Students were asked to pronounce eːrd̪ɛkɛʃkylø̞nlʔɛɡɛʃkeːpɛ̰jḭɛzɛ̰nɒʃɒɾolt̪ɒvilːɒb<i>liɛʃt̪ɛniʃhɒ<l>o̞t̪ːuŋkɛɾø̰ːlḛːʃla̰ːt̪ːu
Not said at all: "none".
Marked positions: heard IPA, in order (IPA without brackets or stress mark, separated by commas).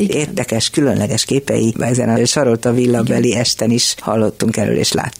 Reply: ɛ, lː